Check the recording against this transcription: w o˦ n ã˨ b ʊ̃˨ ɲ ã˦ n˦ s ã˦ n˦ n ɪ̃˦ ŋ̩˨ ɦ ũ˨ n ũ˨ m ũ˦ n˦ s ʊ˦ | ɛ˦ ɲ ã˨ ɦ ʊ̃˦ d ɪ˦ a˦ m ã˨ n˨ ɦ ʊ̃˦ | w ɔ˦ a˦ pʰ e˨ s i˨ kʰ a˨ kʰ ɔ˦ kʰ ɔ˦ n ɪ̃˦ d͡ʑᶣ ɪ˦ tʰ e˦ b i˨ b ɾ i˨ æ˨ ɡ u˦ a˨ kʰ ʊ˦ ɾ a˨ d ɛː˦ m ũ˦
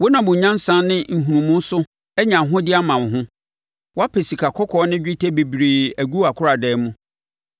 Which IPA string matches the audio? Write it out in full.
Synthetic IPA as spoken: w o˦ n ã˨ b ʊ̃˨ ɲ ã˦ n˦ s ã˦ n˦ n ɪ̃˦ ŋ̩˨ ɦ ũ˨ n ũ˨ m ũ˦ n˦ s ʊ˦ | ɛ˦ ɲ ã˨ ɦ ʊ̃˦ d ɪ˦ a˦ m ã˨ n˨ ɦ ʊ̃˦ | w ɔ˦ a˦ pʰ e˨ s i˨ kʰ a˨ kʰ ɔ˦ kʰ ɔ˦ n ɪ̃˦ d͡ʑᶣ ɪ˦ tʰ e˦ b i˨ b ɾ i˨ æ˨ ɡ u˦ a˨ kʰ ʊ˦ ɾ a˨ d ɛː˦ m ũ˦

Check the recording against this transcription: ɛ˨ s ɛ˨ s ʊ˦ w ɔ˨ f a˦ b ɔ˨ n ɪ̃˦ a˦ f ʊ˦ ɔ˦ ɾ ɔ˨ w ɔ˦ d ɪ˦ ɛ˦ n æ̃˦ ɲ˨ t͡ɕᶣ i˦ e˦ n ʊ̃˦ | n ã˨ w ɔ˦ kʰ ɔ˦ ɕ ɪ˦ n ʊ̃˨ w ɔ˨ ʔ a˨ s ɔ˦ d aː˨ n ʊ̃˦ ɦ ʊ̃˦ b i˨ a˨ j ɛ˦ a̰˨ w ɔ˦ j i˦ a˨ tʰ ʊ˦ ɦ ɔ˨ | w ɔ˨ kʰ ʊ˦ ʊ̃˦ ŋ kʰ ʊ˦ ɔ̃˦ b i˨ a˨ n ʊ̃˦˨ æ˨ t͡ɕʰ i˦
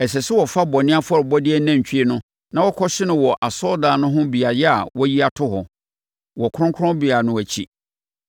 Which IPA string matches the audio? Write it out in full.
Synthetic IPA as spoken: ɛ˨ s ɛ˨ s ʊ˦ w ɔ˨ f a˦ b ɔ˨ n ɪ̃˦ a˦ f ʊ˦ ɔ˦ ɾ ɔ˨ b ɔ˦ d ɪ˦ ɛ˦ n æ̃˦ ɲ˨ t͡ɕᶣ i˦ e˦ n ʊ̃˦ | n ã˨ w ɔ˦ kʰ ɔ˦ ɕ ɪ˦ n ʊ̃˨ w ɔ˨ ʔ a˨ s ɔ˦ d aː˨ n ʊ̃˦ ɦ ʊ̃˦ b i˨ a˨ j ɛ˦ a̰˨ w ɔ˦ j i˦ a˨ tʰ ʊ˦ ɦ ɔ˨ | w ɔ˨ kʰ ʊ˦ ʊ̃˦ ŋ kʰ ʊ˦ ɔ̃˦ b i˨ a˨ n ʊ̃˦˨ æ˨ t͡ɕʰ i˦

